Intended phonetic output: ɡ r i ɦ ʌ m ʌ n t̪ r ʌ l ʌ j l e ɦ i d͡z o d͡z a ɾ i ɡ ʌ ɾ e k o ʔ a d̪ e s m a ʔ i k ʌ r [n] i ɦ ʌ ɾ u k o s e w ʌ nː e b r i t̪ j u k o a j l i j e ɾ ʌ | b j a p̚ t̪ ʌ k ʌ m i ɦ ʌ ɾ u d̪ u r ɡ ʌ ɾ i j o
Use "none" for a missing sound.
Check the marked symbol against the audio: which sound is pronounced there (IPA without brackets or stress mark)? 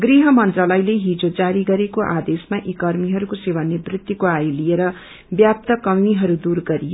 m